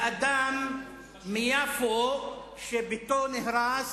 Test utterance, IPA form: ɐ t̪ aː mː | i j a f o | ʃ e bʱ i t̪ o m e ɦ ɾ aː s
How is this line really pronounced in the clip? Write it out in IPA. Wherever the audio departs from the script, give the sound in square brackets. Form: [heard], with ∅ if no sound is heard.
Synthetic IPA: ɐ [d̪] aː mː | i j a f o | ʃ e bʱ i t̪ o [n] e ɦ ɾ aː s